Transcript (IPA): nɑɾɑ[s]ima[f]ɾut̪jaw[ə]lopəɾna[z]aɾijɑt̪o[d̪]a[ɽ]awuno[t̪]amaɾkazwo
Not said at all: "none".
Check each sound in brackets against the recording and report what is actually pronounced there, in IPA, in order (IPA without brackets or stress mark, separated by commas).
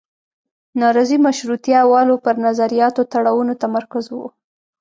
z, ʃ, ɑ, z, t̪, ɽ, t̪